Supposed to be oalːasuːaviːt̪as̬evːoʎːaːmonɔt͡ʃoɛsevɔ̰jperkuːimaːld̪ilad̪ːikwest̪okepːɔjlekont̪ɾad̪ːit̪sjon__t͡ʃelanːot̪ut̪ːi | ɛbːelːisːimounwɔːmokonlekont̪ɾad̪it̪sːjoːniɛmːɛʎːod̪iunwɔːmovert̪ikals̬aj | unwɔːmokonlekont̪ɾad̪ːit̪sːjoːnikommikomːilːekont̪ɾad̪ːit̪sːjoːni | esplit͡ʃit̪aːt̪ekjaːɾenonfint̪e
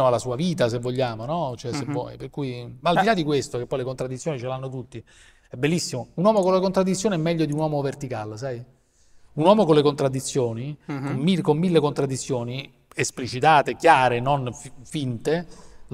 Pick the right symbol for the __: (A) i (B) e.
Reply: A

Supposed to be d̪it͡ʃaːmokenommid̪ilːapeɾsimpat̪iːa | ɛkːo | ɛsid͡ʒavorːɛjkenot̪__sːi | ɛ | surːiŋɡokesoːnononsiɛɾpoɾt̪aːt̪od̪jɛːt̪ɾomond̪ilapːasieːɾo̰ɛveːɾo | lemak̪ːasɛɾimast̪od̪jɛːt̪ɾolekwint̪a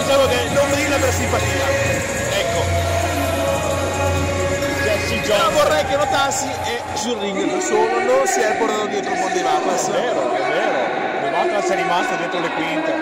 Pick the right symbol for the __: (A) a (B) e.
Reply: A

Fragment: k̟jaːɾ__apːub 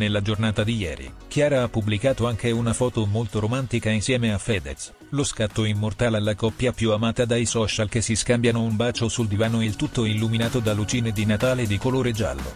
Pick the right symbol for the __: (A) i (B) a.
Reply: B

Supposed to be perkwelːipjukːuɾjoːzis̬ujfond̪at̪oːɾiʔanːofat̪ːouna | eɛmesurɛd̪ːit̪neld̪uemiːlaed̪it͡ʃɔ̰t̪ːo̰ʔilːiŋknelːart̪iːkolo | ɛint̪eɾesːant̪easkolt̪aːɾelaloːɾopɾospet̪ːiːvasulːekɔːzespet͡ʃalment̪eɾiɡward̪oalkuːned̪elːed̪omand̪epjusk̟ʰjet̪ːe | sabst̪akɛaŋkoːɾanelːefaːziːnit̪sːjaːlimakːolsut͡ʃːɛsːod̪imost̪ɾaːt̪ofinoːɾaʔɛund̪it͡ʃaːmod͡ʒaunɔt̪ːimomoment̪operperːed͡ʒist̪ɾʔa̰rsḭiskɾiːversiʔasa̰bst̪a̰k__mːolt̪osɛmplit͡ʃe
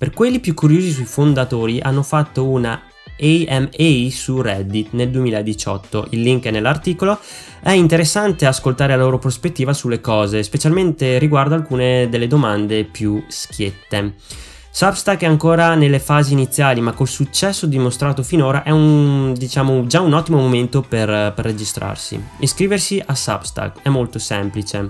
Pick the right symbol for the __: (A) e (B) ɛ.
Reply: B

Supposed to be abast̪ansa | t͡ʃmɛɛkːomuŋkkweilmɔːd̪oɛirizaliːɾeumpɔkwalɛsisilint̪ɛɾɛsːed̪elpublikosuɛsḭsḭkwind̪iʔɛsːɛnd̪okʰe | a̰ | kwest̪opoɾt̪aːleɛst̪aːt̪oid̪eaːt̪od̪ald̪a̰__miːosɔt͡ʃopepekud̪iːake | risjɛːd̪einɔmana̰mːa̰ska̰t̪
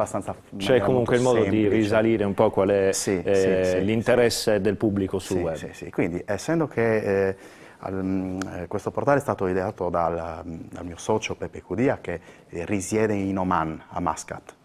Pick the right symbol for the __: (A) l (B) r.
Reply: A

